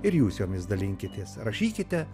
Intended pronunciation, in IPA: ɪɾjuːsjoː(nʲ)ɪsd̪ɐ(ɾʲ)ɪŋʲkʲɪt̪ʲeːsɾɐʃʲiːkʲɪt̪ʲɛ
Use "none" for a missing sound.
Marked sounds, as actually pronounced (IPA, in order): mʲ, lʲ

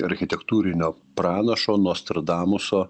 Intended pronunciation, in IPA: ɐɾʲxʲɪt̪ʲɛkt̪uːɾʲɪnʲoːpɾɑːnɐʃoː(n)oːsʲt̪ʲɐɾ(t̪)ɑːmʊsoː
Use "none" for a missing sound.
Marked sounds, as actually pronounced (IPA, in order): n, d̪

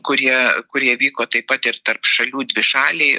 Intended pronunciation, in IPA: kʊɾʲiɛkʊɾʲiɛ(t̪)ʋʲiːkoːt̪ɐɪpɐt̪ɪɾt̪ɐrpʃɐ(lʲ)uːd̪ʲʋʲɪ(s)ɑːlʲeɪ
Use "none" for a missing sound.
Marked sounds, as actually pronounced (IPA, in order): none, lʲ, ʃ

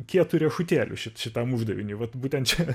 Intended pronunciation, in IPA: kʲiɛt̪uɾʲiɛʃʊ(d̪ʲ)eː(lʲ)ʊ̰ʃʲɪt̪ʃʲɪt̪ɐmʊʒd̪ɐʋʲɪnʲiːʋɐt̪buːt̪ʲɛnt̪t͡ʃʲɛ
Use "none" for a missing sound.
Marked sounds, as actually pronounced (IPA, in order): t̪ʲ, lʲ

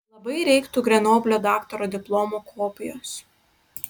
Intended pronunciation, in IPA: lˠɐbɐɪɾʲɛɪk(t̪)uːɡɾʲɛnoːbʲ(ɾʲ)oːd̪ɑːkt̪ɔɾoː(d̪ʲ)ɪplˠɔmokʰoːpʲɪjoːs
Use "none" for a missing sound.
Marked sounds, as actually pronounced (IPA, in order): t̪, lʲ, d̪ʲ

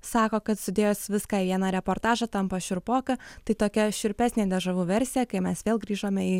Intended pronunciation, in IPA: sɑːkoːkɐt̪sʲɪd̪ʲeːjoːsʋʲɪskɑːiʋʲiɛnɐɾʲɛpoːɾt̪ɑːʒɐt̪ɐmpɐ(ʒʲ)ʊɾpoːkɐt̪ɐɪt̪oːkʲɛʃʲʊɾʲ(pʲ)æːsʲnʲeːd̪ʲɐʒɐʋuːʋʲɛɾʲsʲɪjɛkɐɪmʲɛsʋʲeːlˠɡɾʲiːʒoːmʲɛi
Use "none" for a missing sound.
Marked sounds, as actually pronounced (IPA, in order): ʃʲ, pʲ

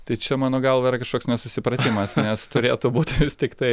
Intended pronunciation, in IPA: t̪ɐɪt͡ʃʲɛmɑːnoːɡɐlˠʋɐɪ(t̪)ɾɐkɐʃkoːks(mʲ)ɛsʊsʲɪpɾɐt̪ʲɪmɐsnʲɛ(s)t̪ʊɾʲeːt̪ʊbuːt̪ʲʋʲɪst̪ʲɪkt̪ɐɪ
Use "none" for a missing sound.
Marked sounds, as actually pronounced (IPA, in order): none, nʲ, s

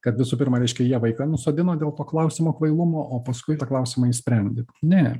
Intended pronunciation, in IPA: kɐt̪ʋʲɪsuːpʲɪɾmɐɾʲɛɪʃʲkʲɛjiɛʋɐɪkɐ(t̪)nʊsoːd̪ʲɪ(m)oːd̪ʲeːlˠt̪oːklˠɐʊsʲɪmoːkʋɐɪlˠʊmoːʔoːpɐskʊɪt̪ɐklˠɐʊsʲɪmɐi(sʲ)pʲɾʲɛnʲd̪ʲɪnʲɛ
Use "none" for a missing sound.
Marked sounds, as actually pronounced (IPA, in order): none, n, sʲ

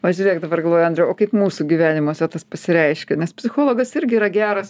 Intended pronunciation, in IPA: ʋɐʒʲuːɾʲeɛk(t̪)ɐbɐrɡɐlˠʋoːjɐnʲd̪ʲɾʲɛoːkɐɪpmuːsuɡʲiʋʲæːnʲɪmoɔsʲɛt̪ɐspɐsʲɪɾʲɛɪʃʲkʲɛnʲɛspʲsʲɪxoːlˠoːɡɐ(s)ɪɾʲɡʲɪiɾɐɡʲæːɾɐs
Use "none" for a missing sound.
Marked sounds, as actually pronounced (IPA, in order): d̪, s

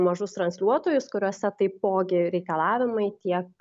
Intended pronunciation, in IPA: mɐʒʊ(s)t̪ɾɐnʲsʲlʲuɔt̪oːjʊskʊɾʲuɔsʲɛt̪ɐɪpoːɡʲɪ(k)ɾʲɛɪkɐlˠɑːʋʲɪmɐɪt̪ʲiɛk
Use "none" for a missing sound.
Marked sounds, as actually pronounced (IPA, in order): s, none

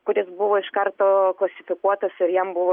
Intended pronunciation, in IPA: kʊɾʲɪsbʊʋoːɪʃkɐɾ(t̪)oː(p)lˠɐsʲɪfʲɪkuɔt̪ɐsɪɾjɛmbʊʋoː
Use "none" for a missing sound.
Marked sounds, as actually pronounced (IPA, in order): t̪, k

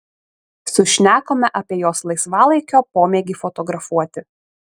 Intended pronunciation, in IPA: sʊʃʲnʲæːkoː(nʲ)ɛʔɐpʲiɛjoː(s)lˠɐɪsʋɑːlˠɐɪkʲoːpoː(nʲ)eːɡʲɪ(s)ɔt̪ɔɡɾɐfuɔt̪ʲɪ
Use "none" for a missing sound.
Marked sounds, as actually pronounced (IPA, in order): mʲ, s, mʲ, f

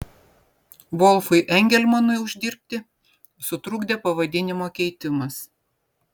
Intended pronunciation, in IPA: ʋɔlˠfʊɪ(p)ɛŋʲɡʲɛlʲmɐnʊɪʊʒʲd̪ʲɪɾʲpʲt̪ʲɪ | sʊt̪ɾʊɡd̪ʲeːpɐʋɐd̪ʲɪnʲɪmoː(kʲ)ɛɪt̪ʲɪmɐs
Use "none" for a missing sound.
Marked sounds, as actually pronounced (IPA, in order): ʔ, kʲ

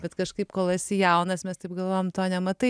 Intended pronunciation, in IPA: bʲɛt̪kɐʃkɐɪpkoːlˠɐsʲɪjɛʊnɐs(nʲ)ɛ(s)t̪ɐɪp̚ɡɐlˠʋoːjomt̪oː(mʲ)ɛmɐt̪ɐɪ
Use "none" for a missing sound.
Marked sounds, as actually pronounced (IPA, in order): mʲ, s, nʲ

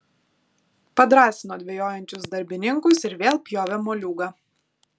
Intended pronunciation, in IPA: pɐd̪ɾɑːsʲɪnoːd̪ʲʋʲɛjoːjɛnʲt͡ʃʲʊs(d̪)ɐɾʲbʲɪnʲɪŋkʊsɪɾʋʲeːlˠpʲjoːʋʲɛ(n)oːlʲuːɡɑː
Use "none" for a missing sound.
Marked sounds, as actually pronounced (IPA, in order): d̪, m

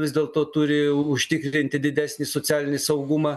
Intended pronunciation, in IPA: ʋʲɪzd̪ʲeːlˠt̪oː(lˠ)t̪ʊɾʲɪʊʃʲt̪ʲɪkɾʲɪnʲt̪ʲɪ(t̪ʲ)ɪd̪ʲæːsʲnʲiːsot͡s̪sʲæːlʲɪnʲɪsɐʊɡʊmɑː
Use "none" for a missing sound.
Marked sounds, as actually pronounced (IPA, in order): none, d̪ʲ

